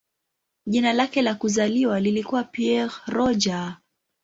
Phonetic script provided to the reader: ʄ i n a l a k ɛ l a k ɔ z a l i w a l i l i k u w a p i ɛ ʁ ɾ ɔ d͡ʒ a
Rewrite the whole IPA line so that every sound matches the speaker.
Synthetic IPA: ʄ i n a l a k ɛ l a k u z a l i w a l i l i k u w a p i ɛ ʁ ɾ ɔ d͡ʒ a